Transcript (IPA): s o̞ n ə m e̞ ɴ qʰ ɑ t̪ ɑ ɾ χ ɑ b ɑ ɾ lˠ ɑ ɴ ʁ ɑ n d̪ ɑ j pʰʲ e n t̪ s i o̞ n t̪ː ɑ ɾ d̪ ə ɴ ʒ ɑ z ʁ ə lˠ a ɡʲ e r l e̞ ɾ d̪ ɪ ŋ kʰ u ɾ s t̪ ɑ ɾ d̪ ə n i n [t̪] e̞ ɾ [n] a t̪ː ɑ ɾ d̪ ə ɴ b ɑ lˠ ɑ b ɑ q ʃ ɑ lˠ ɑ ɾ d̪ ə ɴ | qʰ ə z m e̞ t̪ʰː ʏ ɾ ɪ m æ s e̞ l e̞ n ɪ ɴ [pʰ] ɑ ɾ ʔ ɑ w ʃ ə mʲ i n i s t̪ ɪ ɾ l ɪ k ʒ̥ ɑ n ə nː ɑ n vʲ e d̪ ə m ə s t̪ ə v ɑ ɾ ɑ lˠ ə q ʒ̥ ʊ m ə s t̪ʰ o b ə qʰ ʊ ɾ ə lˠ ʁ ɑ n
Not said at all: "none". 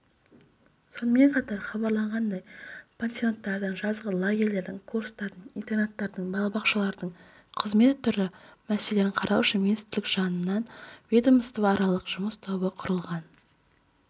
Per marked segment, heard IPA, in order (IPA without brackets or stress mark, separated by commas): t̪, n, qʰ